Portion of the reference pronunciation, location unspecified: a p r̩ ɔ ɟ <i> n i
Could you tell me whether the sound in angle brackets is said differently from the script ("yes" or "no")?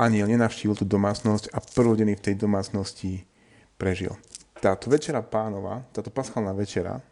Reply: yes